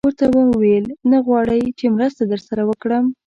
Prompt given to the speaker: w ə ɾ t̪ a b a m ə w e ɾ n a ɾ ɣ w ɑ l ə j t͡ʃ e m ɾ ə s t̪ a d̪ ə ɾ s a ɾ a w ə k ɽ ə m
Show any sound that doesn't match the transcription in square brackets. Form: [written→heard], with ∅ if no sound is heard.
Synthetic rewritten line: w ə ɾ t̪ a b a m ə w e [ɾ→l] n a [ɾ→∅] ɣ w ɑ [l→ɽ] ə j t͡ʃ e m ɾ ə s t̪ a d̪ ə ɾ s a ɾ a w ə k ɽ ə m